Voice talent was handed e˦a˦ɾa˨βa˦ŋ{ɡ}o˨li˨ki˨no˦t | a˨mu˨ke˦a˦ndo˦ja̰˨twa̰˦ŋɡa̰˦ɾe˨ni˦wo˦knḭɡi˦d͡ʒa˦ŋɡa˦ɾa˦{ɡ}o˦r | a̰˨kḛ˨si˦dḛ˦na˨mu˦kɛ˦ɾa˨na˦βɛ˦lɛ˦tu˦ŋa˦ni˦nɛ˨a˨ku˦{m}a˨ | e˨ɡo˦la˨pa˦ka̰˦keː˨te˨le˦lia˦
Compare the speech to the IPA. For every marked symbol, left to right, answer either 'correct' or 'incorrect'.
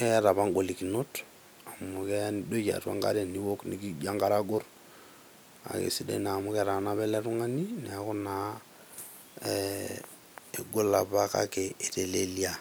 correct, correct, incorrect

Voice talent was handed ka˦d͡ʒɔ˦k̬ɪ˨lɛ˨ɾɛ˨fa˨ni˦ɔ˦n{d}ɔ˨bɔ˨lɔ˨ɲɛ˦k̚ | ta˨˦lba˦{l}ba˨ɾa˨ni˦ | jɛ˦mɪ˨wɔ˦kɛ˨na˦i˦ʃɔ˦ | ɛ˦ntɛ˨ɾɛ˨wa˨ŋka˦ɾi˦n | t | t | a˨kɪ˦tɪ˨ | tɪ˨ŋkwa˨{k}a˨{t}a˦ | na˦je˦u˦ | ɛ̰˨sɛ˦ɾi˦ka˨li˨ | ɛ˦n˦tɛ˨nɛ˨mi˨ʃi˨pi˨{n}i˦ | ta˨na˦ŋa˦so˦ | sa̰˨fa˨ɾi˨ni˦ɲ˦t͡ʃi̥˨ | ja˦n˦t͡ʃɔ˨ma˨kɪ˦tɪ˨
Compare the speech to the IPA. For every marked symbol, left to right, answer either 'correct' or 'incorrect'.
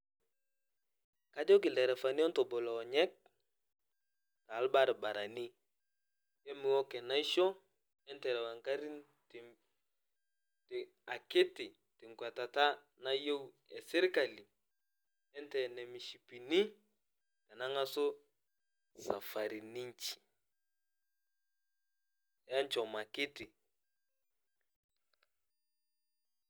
incorrect, incorrect, incorrect, correct, correct

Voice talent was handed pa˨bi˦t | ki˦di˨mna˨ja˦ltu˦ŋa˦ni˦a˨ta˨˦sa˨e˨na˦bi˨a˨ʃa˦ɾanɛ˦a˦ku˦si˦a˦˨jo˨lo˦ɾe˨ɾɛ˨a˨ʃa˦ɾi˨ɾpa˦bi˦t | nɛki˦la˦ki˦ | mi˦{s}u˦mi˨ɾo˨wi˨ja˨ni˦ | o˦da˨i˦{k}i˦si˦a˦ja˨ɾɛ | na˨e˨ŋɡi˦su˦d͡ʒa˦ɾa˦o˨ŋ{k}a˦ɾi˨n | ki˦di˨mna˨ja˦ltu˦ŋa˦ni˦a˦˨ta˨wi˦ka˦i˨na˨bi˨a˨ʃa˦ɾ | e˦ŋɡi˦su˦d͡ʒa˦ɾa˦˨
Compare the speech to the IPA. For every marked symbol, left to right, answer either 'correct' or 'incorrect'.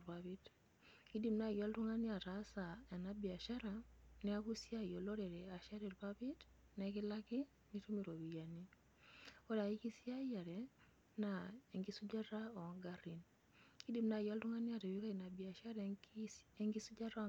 incorrect, correct, incorrect

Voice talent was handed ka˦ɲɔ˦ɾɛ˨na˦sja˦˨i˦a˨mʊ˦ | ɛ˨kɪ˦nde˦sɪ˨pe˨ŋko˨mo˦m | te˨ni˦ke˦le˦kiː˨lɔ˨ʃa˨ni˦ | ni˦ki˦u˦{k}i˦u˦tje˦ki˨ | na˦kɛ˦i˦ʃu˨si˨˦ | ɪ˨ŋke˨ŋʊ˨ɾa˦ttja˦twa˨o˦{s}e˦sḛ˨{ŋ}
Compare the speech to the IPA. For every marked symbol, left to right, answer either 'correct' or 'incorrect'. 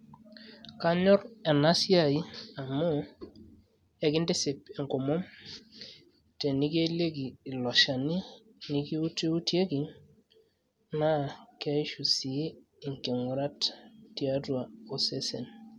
incorrect, correct, incorrect

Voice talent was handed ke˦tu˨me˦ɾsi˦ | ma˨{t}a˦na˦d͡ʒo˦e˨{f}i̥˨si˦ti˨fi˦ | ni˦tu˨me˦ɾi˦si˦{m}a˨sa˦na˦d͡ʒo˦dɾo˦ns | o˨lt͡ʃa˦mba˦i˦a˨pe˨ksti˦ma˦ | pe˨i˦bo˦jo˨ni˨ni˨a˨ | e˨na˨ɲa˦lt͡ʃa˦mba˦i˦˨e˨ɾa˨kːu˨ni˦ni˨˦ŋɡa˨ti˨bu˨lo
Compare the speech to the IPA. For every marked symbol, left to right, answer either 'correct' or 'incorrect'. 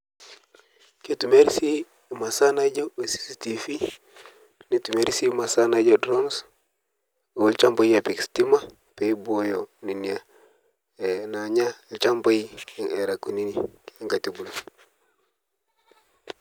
incorrect, incorrect, correct

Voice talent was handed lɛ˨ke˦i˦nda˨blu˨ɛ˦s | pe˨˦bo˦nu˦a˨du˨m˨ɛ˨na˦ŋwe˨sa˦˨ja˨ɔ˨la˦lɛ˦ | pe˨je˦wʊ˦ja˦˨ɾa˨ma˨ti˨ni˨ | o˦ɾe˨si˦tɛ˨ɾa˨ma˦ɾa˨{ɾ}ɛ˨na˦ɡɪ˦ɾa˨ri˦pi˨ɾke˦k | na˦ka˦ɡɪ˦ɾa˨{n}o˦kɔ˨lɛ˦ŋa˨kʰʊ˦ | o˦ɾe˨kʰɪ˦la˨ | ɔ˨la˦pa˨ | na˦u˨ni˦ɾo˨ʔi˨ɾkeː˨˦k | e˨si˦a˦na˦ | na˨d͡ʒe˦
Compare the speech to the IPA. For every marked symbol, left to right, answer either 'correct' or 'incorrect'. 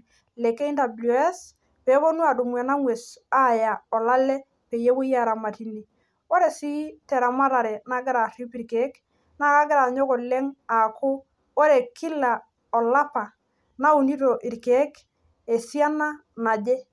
correct, incorrect

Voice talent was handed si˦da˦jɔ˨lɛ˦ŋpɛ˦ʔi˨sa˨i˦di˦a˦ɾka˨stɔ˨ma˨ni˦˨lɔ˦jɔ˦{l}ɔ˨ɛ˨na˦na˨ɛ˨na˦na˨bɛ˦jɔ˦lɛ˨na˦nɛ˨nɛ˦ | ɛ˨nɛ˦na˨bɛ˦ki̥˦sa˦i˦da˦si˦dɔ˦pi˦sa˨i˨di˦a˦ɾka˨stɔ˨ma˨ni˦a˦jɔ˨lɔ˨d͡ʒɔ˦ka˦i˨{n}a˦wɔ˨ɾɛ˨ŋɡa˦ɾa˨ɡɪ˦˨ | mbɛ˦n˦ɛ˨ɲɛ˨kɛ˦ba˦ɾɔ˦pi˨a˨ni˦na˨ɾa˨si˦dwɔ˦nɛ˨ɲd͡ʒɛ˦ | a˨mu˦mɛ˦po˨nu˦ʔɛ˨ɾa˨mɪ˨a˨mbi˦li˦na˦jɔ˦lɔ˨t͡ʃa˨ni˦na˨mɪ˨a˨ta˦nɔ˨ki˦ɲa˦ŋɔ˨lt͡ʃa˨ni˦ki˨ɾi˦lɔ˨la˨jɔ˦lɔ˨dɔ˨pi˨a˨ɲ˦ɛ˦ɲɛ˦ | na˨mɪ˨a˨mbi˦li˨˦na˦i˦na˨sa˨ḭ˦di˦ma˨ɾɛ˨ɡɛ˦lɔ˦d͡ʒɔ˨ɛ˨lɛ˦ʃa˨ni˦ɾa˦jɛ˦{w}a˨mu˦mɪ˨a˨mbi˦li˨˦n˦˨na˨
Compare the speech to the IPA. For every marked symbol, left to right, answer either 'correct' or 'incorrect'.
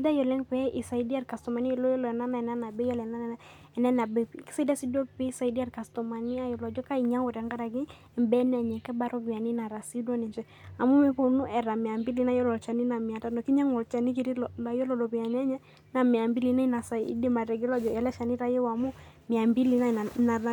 correct, incorrect, correct

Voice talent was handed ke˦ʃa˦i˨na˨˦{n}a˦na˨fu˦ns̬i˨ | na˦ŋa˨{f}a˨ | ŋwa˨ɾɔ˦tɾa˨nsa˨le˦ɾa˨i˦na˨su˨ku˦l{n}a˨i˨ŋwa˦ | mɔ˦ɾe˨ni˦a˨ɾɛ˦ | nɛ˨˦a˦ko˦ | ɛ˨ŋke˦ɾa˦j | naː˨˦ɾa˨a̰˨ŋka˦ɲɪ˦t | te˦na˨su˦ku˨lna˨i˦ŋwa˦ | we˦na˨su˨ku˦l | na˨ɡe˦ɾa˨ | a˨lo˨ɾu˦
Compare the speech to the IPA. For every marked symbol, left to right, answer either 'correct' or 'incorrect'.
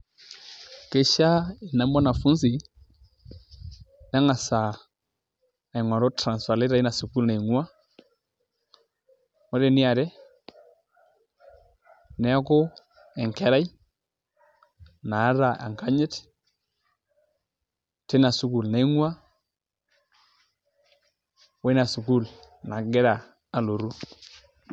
incorrect, incorrect, correct

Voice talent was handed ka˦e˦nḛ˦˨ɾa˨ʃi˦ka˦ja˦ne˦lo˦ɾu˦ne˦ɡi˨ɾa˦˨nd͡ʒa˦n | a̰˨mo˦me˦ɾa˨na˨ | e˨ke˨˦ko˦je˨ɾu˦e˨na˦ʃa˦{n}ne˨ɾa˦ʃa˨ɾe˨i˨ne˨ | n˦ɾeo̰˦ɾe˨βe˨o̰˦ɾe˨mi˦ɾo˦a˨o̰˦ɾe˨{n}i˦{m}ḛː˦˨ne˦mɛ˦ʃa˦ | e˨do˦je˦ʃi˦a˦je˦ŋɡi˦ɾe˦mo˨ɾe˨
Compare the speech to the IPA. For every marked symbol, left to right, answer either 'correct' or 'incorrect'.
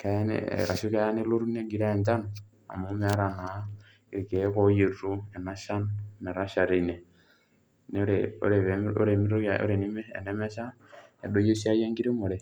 correct, correct, correct

